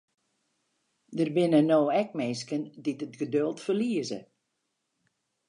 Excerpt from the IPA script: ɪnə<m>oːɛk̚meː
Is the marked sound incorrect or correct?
incorrect